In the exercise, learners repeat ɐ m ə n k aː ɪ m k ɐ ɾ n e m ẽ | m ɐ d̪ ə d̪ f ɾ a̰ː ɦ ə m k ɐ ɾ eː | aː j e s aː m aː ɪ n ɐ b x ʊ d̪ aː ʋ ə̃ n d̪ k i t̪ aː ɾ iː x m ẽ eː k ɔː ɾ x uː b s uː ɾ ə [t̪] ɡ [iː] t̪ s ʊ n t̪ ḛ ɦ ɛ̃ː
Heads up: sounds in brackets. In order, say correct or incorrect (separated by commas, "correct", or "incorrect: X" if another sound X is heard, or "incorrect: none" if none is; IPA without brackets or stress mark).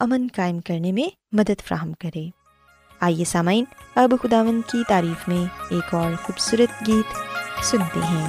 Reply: correct, correct